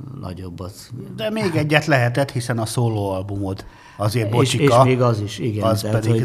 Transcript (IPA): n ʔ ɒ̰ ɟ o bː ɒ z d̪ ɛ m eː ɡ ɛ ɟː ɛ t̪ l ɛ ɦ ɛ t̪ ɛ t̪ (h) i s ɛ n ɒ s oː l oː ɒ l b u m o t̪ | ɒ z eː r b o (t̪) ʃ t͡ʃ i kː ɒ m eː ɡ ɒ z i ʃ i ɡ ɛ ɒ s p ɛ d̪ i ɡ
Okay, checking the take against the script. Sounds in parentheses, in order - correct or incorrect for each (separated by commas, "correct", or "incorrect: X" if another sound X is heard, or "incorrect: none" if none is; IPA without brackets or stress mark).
correct, incorrect: none